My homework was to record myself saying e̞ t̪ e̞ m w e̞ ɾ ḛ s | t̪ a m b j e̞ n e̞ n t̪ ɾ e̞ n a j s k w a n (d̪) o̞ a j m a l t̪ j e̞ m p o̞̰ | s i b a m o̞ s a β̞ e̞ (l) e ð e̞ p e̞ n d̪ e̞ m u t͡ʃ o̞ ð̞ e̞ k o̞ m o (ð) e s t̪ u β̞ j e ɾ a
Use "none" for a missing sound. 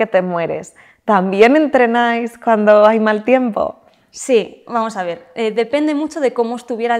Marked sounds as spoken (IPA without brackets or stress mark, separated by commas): d̪, ɾ, none